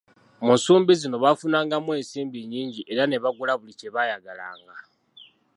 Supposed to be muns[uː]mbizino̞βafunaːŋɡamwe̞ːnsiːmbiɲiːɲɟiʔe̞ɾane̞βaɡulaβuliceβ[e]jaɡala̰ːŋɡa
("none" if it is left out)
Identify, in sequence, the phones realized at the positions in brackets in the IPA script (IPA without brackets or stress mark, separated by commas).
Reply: uː, a